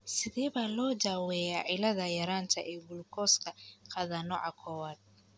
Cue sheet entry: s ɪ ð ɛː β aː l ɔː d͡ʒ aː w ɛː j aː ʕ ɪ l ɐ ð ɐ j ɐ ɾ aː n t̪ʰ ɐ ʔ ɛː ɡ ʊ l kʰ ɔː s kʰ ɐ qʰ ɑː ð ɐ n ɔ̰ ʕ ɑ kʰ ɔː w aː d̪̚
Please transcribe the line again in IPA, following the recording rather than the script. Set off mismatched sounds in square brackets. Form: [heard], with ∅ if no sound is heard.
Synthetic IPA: s ɪ ð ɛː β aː l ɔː d͡ʒ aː w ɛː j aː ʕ ɪ l ɐ ð ɐ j ɐ ɾ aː n t̪ʰ ɐ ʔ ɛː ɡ ʊ l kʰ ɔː s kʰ ɐ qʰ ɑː ð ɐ n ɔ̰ ʕ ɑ kʰ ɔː w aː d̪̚